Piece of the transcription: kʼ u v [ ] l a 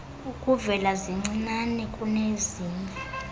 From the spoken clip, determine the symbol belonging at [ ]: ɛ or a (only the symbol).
ɛ